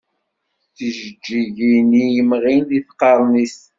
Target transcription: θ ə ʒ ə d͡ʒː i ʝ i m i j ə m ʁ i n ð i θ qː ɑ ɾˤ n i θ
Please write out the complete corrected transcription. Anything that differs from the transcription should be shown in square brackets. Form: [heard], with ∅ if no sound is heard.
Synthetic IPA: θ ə ʒ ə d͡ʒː i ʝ i [n] i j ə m ʁ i n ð i θ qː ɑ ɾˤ n i [s]